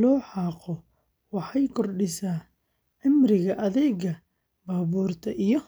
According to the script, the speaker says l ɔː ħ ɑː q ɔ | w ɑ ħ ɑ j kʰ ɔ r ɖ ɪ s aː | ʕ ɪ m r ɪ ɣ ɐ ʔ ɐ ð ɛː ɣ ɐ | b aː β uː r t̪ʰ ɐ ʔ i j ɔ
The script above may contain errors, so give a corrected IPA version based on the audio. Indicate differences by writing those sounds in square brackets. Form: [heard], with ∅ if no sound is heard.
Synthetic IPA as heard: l ɔː ħ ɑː q ɔ | w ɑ ħ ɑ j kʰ ɔ r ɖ ɪ s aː | ʕ ɪ m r ɪ ɣ ɐ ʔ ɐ ð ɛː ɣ ɐ | b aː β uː r t̪ʰ ɐ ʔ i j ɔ